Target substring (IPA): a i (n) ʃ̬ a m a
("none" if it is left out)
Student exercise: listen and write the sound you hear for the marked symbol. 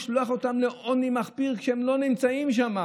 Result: m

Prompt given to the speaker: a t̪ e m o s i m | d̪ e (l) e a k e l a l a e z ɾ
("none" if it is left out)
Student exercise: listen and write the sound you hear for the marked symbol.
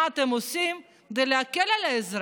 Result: l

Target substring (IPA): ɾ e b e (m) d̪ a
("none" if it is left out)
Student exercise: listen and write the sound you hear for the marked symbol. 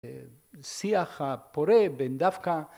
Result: n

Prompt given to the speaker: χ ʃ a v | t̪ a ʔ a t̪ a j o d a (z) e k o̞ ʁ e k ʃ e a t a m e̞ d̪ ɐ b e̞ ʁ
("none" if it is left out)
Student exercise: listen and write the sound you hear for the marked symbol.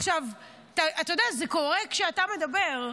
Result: z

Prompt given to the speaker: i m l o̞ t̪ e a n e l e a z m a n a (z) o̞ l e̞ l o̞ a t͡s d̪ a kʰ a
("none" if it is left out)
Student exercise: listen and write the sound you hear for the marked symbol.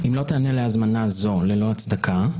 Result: z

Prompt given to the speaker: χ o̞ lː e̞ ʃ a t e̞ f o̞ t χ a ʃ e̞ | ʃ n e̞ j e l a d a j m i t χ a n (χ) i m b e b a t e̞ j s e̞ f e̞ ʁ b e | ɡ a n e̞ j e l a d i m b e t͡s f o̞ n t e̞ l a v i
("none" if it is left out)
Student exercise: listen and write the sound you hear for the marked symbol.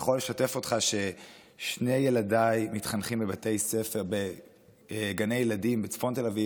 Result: χ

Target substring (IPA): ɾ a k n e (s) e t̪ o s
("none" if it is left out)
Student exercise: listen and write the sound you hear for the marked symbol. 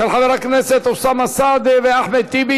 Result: s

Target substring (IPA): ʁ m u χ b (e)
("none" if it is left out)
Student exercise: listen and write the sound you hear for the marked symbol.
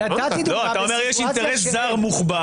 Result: a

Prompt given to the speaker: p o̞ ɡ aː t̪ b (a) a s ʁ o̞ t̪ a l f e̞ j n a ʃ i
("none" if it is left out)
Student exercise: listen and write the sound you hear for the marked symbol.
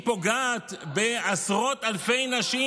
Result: e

